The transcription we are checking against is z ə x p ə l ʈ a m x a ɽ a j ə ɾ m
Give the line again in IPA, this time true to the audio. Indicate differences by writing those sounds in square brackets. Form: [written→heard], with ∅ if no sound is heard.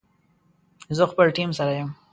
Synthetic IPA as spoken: z ə x p ə l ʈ [a→i] m [x→s] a [ɽ→ɾ] a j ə [ɾ→∅] m